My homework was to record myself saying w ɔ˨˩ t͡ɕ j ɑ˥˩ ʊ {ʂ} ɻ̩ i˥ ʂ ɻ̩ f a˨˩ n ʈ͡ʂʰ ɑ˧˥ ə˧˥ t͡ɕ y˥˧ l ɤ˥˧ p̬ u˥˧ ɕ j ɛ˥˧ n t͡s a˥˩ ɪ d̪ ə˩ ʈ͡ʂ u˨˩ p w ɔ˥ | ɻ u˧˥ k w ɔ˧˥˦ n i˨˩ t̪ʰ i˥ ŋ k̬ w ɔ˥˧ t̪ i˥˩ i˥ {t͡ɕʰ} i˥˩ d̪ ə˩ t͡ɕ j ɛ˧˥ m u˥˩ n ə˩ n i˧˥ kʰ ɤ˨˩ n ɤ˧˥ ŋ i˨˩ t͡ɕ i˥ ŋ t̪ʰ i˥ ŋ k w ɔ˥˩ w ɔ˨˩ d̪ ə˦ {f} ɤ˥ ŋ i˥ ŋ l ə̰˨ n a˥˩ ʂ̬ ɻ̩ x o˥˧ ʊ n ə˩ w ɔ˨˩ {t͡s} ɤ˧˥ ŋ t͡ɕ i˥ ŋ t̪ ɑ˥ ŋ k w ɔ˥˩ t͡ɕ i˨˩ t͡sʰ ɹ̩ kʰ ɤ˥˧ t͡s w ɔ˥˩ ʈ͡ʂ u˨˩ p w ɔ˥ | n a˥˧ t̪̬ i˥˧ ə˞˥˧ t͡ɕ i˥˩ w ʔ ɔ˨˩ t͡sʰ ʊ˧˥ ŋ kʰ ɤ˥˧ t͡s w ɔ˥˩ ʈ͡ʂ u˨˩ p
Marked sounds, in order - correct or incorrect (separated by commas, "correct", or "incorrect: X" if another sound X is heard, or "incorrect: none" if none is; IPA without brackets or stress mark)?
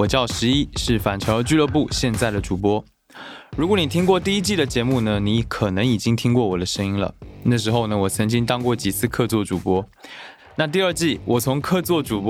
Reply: correct, incorrect: t͡ɕ, incorrect: ʂ, incorrect: t͡sʰ